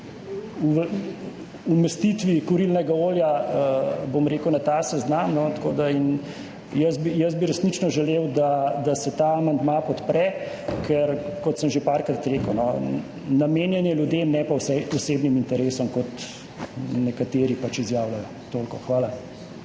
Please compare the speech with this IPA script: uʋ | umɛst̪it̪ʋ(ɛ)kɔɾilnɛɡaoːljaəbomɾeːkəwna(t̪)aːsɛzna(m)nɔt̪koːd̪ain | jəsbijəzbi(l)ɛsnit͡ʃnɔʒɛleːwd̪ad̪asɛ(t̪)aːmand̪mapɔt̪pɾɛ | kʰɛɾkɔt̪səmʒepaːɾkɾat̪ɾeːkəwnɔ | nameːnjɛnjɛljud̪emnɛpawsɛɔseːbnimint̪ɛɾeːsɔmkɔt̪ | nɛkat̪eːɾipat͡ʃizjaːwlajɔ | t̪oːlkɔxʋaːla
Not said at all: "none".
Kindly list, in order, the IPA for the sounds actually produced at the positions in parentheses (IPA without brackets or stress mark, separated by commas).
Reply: i, t̪, m, ɾ, t̪